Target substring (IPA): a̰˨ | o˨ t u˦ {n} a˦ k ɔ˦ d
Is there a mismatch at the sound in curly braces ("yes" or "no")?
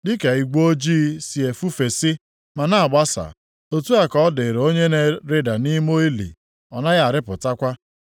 yes